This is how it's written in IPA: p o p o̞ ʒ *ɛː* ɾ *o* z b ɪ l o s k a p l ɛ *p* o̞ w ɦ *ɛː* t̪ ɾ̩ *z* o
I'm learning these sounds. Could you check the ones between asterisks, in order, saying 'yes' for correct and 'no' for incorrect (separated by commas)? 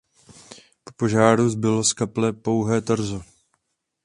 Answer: no, no, yes, yes, yes